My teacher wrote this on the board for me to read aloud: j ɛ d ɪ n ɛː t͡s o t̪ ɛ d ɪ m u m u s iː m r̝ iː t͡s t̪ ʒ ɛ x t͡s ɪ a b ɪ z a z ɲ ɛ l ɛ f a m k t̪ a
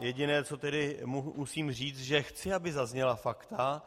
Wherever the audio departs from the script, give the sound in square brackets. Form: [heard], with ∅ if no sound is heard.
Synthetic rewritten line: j ɛ [ɟ] ɪ n ɛː t͡s o t̪ ɛ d ɪ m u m u s iː m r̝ iː t͡s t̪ ʒ ɛ x t͡s ɪ a b ɪ z a z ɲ ɛ l [a] f a [∅] k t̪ a